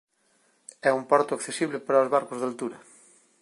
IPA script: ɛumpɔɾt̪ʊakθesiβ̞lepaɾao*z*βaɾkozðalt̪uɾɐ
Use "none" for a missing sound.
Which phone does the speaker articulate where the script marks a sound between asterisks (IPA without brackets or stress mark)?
z